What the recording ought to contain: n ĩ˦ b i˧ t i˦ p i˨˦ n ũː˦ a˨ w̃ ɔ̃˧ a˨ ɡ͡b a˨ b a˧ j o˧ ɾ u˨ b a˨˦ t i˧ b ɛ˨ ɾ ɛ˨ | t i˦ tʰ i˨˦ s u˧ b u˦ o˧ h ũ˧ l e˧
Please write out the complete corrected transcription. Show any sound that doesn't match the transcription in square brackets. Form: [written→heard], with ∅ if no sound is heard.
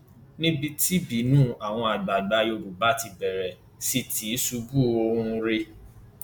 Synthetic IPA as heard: n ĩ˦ b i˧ t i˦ [p→b] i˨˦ n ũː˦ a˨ w̃ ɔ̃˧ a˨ ɡ͡b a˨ [b→ɡ͡b] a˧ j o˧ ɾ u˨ b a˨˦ t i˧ b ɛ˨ ɾ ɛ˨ | [t→s] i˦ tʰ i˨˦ s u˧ b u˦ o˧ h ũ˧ [l→ɾ] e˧